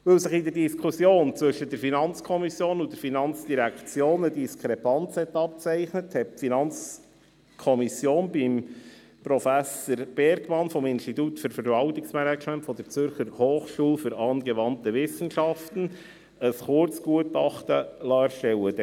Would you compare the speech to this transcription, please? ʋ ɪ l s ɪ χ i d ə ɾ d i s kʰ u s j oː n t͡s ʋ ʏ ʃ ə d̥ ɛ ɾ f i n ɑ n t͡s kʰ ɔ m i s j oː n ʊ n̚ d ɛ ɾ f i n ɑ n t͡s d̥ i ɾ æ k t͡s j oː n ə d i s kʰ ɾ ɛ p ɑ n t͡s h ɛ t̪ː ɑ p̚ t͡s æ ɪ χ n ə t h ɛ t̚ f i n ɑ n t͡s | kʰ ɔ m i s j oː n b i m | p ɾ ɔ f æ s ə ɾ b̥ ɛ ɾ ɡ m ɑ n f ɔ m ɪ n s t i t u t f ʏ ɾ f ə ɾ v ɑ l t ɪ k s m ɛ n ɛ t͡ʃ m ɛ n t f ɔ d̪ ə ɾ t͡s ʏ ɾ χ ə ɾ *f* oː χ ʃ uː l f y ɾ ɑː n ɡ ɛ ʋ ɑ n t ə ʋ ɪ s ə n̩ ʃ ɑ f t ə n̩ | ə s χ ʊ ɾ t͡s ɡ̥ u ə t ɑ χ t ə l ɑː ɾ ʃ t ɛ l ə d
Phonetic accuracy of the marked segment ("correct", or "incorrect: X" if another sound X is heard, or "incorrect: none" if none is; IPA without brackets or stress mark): incorrect: h